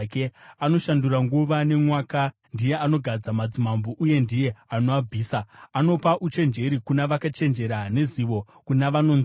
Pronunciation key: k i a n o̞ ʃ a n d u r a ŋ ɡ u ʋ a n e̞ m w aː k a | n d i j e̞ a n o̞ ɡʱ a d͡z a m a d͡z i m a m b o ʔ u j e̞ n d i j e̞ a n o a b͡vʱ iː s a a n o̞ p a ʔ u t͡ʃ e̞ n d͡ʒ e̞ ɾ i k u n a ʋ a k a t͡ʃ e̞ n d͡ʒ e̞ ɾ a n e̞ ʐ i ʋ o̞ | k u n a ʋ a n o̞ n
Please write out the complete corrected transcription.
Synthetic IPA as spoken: k e a n o̞ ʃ a n d u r a ŋ ɡ u ʋ a n e̞ m w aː k a | n d i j e̞ a n o̞ ɡʱ a d͡z a m a d͡z i m a m b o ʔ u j e̞ n d i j e̞ a n o a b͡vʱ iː s a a n o̞ p a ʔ u t͡ʃ e̞ n d͡ʒ e̞ ɾ i k u n a ʋ a k a t͡ʃ e̞ n d͡ʒ e̞ ɾ a n e̞ z i ʋ o̞ | k u n a ʋ a n o̞ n